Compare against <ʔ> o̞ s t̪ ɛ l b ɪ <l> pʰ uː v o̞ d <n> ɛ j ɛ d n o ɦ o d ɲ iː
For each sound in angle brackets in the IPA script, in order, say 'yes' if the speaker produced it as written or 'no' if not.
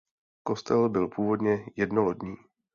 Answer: no, yes, no

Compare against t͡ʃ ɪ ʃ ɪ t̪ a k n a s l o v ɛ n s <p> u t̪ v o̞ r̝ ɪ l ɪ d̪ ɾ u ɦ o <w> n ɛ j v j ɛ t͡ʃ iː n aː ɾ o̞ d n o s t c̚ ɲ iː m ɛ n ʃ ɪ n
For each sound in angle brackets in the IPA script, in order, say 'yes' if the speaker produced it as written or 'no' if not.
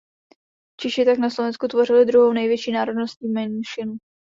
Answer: no, yes

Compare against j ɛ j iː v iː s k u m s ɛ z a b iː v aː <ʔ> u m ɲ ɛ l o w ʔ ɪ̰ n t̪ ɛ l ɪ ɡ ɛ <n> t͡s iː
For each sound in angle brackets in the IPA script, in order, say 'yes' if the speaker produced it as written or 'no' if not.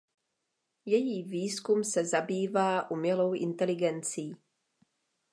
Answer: yes, yes

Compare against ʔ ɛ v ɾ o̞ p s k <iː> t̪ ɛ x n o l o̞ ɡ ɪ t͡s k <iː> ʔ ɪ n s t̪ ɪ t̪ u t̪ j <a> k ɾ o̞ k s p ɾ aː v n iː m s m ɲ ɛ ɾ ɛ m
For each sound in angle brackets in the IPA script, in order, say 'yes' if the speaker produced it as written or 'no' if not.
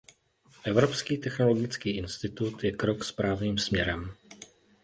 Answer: yes, yes, no

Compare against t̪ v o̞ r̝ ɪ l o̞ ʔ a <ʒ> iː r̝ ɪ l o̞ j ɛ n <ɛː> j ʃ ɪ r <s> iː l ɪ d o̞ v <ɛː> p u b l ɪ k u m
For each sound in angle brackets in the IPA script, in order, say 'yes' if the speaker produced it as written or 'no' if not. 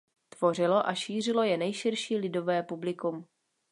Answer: no, no, no, yes

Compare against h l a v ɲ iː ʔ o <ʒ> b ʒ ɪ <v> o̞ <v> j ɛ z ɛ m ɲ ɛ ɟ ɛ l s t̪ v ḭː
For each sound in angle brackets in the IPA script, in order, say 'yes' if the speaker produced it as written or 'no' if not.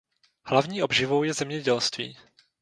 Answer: no, yes, no

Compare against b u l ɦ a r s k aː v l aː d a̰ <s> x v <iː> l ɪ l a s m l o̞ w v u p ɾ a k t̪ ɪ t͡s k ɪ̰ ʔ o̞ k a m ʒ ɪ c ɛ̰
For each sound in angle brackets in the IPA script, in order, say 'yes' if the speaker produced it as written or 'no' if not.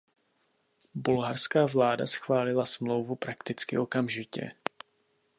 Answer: yes, no

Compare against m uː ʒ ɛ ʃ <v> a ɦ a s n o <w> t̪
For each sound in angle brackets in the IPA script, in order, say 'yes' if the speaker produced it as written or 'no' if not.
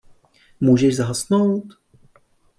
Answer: no, yes

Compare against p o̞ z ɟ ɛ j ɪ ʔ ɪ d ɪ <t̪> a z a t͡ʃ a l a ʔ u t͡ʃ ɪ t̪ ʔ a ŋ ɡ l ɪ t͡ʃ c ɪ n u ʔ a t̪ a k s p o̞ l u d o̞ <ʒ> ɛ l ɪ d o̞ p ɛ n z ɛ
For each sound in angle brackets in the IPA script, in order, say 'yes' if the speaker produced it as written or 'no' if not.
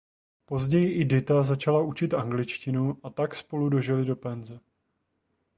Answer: yes, yes

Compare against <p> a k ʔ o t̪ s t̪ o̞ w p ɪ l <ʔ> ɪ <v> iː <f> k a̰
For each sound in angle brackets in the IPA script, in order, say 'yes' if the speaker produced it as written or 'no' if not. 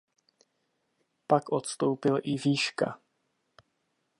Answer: yes, yes, yes, no

